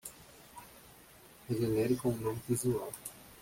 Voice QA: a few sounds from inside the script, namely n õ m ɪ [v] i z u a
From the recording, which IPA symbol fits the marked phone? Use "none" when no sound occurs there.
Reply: v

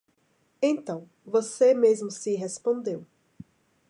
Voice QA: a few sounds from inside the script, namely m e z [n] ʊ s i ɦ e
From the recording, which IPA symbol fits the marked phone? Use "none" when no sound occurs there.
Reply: m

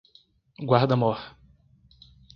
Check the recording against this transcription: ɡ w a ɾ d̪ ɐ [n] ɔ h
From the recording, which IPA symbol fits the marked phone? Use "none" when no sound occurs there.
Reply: m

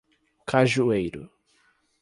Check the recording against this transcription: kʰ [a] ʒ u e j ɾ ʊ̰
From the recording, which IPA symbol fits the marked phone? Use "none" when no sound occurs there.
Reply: a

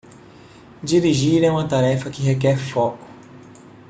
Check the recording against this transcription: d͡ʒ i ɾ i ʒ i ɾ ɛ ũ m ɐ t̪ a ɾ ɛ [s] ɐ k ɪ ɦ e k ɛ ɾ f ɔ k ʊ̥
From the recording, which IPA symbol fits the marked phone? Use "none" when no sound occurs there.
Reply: f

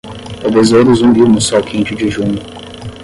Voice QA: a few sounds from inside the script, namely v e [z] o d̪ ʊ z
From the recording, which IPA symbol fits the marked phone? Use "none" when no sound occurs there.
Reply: z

